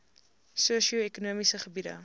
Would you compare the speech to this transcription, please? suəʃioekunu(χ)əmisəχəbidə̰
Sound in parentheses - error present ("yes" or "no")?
yes